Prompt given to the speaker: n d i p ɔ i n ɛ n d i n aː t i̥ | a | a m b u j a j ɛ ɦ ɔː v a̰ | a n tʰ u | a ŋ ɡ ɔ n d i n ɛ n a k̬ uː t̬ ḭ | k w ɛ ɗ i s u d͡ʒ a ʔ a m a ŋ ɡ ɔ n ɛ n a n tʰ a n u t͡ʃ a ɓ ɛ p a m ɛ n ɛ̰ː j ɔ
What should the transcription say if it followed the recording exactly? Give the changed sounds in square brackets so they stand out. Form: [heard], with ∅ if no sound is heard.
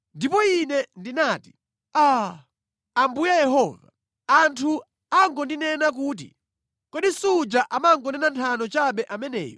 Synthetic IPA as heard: n d i p ɔ i n ɛ n d i n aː t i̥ | a | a m b u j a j ɛ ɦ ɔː v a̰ | a n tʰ u | a ŋ ɡ ɔ n d i n ɛ n a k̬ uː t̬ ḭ | k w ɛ ɗ i s u d͡ʒ a ʔ a m a ŋ ɡ ɔ n ɛ n a n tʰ a n [ɔ] t͡ʃ a ɓ ɛ [ʔ] a m ɛ n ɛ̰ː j ɔ

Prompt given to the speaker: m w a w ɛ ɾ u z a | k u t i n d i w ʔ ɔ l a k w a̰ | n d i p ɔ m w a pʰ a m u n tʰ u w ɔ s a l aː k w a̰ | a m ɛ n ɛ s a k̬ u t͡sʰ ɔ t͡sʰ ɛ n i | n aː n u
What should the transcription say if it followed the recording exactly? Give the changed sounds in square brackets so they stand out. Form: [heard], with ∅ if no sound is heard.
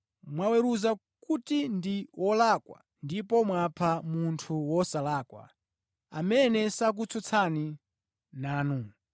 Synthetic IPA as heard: m w a w ɛ ɾ u z a | k u t i n d i w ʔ ɔ l a k w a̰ | n d i p ɔ m w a pʰ a m u n tʰ u w ɔ s a l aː k w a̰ | a m ɛ n ɛ s a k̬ u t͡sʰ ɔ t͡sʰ [a] n i | n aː n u

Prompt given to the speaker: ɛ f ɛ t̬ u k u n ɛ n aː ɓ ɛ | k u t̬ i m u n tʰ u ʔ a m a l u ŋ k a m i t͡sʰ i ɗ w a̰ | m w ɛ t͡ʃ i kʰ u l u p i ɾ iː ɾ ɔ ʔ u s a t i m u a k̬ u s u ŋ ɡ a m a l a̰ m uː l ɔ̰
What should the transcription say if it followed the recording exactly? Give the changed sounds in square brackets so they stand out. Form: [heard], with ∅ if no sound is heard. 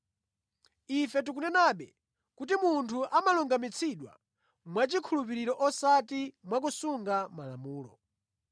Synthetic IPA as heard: [i] f ɛ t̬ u k u n ɛ n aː ɓ ɛ | k u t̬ i m u n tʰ u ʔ a m a l u ŋ [ɡ] a m i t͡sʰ i ɗ w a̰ | m w [a] t͡ʃ i kʰ u l u p i ɾ [i] ɾ ɔ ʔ [ɔ] s a t i m [w] a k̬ u s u ŋ ɡ a m a l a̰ m uː l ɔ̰

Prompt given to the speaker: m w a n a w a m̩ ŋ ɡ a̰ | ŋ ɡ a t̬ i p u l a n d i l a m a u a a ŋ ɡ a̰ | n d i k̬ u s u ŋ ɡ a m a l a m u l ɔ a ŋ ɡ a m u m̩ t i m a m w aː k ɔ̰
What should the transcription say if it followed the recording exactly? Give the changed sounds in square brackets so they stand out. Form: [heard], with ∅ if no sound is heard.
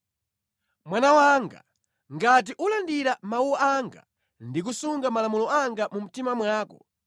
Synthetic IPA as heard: m w a n a w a [∅] ŋ ɡ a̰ | ŋ ɡ a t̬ i [ʔ] u l a n d i [ɾ] a m a u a a ŋ ɡ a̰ | n d i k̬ u s u ŋ ɡ a m a l a m u l ɔ a ŋ ɡ a m u m̩ t i m a m w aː k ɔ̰

